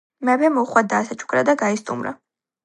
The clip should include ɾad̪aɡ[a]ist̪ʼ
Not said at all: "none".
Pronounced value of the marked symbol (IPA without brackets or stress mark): a